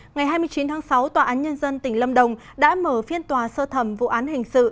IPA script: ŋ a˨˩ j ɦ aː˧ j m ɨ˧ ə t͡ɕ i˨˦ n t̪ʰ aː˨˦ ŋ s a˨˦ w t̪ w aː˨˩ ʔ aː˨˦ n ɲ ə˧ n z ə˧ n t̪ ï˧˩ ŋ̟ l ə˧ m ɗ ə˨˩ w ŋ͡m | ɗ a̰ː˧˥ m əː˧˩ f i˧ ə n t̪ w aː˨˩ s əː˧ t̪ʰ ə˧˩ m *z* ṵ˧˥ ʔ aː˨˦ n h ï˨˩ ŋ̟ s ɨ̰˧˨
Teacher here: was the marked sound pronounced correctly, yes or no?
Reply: no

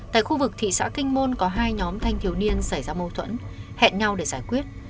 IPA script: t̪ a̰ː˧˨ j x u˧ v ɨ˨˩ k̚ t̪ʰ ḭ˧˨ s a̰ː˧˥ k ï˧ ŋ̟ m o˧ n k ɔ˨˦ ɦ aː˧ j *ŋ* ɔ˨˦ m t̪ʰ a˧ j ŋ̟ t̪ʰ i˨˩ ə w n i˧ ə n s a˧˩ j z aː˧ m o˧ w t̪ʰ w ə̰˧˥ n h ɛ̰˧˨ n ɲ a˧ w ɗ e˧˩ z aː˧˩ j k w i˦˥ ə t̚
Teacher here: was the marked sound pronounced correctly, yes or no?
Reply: no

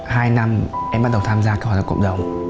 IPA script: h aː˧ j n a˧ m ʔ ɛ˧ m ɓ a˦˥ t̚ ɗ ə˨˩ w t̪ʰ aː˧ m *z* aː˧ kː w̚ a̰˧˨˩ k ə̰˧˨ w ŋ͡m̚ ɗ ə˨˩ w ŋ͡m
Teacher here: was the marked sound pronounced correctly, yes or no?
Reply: yes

